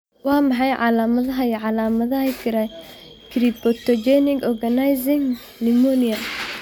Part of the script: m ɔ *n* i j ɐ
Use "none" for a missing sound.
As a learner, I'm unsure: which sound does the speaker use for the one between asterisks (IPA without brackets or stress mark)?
n